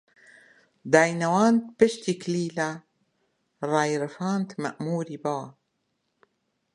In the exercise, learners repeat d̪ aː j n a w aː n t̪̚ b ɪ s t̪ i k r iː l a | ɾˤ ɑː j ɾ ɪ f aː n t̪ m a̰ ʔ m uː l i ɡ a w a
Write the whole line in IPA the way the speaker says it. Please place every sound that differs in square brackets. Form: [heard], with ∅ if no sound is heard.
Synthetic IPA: d̪ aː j n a w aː n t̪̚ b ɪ [ʃ] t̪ i k [l] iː l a | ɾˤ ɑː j ɾ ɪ f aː n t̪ m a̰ ʔ m uː [ɾ] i [b] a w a